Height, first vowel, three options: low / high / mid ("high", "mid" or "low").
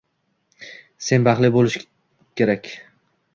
mid